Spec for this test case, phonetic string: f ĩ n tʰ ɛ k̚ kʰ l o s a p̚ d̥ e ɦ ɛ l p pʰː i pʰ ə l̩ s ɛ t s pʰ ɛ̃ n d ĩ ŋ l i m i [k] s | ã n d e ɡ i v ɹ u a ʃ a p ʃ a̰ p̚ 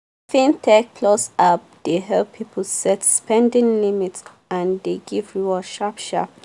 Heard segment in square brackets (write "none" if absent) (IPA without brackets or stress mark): t